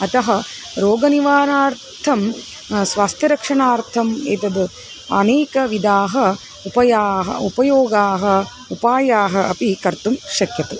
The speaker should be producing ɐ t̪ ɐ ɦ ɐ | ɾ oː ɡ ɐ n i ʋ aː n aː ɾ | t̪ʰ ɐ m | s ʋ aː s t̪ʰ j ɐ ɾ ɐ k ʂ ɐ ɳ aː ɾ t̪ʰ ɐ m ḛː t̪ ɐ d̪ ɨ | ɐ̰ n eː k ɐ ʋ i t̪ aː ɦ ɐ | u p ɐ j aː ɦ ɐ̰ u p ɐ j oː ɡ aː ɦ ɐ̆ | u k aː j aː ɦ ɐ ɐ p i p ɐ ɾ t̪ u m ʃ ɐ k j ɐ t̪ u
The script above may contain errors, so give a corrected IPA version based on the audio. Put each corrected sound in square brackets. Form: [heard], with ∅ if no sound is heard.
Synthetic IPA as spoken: ɐ t̪ ɐ ɦ ɐ | ɾ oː ɡ ɐ n i ʋ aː n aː ɾ | t̪ʰ ɐ m | s ʋ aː s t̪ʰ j ɐ ɾ ɐ k ʂ ɐ ɳ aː ɾ t̪ʰ ɐ m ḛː t̪ ɐ d̪ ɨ | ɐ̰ n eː k ɐ ʋ i [d̪] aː ɦ ɐ | u p ɐ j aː ɦ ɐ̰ u p ɐ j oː ɡ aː ɦ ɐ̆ | u [p] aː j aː ɦ ɐ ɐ p i [k] ɐ ɾ t̪ u m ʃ ɐ k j ɐ t̪ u